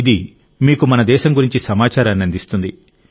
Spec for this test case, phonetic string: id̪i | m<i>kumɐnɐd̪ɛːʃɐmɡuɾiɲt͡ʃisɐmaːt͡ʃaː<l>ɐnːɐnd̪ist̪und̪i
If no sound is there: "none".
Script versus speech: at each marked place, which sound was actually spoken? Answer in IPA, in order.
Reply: iː, ɾ

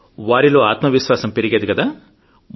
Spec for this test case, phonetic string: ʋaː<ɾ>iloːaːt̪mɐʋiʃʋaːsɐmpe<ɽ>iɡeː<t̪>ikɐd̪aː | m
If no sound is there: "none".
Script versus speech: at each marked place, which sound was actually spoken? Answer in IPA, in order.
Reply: ɾ, ɾ, d̪

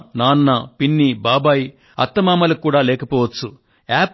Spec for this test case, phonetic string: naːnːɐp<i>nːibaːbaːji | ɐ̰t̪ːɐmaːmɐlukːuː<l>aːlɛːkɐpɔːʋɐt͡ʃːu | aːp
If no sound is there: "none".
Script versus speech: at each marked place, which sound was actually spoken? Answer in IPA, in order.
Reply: i, ɽ

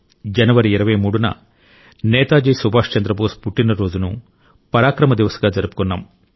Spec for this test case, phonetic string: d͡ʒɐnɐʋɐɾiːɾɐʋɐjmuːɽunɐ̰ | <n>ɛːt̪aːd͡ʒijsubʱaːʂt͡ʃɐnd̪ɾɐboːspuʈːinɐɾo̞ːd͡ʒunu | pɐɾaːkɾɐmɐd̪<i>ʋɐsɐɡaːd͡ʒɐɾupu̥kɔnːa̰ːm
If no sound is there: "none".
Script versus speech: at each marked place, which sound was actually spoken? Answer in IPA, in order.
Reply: n, i

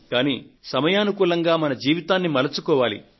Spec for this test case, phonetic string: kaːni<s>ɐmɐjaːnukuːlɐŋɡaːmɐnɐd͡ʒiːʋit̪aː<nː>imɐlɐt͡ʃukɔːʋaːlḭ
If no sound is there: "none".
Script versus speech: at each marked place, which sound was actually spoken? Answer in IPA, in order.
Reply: s, nː

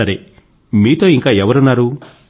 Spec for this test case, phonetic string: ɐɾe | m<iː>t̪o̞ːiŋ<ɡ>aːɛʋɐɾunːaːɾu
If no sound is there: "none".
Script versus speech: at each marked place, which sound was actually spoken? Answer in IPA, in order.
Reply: iː, k

